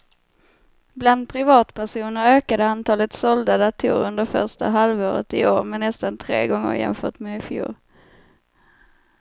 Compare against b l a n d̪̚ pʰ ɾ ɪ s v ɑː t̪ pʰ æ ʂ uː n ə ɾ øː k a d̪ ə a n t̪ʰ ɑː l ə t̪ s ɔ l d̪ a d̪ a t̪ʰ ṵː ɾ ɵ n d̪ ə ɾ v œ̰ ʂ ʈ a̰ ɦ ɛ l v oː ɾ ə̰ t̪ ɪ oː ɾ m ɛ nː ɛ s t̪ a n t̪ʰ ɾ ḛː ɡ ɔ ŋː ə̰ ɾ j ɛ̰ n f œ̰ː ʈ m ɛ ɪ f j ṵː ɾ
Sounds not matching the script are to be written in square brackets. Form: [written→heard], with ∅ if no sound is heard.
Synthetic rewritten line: b l a n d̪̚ pʰ ɾ ɪ [s→∅] v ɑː t̪ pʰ æ ʂ uː n ə ɾ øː k a d̪ ə a n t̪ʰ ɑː l ə t̪ s ɔ l d̪ a d̪ a t̪ʰ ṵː ɾ ɵ n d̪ ə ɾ [v→f] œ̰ ʂ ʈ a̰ ɦ [ɛ→a] l v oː ɾ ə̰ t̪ ɪ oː ɾ m ɛ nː ɛ s t̪ a n t̪ʰ ɾ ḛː ɡ ɔ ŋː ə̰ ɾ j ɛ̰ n f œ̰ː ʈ m ɛ ɪ f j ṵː ɾ

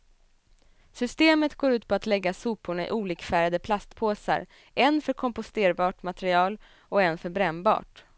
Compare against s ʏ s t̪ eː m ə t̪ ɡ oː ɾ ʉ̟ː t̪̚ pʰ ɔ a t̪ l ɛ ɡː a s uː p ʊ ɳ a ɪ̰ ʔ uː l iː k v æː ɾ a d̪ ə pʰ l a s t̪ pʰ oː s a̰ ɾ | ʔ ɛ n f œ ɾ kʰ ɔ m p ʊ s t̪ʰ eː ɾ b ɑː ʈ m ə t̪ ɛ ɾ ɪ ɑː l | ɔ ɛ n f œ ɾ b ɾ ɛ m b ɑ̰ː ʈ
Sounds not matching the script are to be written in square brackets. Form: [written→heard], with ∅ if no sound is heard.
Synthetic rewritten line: s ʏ s t̪ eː m ə t̪ ɡ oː ɾ ʉ̟ː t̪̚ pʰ ɔ a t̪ l ɛ ɡː a s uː p ʊ ɳ a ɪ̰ ʔ uː l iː k [v→f] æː ɾ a d̪ ə pʰ l a s t̪ pʰ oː s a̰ ɾ | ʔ ɛ n f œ ɾ kʰ ɔ m p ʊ s [t̪ʰ→t̪] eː ɾ b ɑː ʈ m [ə→a] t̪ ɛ ɾ ɪ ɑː l | ɔ ɛ n f œ ɾ b ɾ ɛ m b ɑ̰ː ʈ

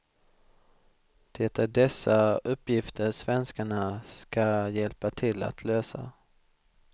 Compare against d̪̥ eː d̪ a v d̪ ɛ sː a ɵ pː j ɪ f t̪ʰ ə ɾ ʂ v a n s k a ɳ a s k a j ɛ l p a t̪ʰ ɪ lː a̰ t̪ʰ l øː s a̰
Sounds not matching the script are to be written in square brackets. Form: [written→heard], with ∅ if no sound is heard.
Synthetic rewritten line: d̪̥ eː [d̪→t̪] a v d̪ ɛ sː a ɵ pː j ɪ f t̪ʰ ə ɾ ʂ v [a→ɛ] n s k a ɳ a s k a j ɛ l p a t̪ʰ ɪ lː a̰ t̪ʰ l øː s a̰

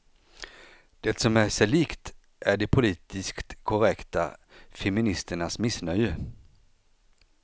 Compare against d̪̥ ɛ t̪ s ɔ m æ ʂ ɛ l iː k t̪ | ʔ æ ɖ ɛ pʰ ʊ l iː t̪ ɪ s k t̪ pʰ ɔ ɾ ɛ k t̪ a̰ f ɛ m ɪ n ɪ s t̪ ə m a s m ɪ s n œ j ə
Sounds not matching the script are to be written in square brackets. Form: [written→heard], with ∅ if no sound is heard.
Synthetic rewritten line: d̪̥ ɛ t̪ s ɔ m æ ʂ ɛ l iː k t̪ | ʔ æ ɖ ɛ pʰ ʊ l iː t̪ ɪ s k t̪ [pʰ→kʰ] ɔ ɾ ɛ k t̪ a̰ f ɛ m ɪ n ɪ s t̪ ə [m→ɳ] a s m ɪ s n œ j ə

